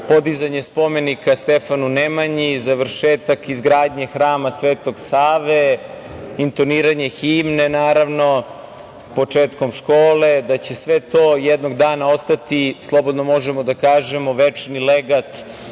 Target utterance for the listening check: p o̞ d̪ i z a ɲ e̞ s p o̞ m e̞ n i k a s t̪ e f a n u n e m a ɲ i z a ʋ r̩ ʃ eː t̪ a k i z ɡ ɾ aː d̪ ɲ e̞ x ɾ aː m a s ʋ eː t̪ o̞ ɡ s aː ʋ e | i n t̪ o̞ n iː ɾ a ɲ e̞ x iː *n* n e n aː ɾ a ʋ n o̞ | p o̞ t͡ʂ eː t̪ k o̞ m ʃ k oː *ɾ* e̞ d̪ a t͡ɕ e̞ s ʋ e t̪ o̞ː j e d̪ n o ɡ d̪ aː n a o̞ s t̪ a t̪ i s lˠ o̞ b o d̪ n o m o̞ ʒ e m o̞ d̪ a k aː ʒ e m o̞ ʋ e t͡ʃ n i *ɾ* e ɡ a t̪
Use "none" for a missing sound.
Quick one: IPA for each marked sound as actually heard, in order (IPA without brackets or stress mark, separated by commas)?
m, l, l